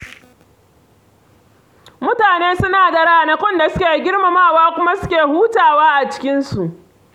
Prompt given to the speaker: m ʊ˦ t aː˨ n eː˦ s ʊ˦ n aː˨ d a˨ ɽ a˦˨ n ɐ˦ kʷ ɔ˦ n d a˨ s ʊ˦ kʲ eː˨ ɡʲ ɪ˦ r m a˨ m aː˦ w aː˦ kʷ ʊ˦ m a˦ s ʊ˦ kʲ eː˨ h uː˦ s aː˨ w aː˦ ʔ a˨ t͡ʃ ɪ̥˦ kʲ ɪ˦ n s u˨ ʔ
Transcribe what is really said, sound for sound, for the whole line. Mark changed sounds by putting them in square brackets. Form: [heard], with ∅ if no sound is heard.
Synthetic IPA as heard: m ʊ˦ t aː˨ n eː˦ s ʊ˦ n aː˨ d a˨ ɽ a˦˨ n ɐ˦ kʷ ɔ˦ n d a˨ s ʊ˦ kʲ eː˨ ɡʲ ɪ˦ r m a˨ m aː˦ w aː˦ kʷ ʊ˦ m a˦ s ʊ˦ kʲ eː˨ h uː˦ [t] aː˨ w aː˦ ʔ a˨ t͡ʃ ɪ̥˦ kʲ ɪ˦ n s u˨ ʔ